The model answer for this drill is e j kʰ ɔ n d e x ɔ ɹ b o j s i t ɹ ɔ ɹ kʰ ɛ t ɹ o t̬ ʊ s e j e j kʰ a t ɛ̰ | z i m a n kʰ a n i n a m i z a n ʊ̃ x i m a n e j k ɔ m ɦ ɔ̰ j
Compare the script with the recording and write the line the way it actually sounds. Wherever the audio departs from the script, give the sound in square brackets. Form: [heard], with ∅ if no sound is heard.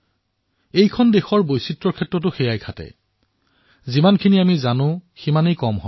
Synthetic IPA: e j kʰ ɔ n d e x ɔ ɹ b o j s i t ɹ ɔ ɹ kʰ ɛ t ɹ [ɔ] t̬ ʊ [x] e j [a] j kʰ a t ɛ̰ | z i m a n kʰ [i] n i [∅] a m i z a n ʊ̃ x i m a n e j k ɔ m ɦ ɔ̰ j